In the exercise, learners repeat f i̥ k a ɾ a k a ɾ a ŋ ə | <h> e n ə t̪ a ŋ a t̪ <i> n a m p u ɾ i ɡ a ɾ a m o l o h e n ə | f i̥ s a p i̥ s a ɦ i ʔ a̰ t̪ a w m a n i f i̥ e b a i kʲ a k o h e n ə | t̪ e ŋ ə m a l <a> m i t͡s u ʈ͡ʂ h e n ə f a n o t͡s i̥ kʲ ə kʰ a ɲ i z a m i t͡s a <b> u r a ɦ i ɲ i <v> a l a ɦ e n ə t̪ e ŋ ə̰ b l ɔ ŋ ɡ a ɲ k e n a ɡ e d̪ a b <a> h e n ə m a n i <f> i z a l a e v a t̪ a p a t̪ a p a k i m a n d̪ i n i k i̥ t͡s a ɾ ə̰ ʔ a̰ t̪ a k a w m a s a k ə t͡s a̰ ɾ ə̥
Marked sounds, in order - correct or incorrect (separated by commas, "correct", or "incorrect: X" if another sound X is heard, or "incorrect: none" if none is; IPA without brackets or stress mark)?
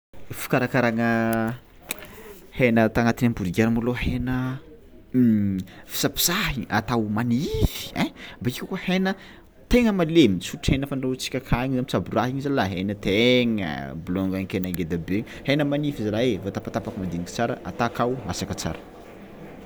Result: correct, correct, incorrect: e, correct, incorrect: z, incorrect: e, correct